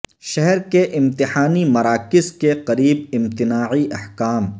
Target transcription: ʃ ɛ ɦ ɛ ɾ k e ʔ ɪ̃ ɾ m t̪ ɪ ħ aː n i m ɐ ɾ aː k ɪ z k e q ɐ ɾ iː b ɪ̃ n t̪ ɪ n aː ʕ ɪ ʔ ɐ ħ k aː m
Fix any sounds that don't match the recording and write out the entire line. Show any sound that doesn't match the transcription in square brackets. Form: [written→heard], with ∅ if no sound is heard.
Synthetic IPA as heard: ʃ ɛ ɦ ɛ ɾ k e ʔ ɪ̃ [ɾ→∅] m t̪ ɪ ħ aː n i m ɐ ɾ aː k ɪ z k e q ɐ ɾ iː b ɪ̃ [n→m] t̪ ɪ n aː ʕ [ɪ→i] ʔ ɐ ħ k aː m